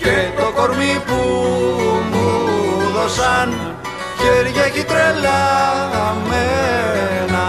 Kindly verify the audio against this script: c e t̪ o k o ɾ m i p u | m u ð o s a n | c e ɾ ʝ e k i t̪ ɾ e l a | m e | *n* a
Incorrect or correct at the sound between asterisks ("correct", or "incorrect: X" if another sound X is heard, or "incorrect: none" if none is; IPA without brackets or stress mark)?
correct